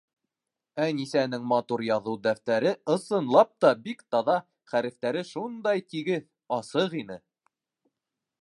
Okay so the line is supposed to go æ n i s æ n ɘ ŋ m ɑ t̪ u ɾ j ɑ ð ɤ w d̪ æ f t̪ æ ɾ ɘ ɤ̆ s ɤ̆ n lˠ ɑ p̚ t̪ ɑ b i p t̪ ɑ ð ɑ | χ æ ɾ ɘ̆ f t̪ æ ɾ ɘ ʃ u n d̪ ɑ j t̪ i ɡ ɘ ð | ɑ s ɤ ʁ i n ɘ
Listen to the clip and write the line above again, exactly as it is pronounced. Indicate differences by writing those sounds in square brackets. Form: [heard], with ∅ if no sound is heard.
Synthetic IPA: æ n i s æ n ɘ ŋ m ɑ t̪ u ɾ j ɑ ð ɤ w d̪ æ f t̪ æ ɾ ɘ ɤ̆ s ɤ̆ n lˠ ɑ p̚ t̪ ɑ b i [k] t̪ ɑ ð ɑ | χ æ ɾ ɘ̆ f t̪ æ ɾ ɘ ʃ u n d̪ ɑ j t̪ i ɡ ɘ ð | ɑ s ɤ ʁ i n ɘ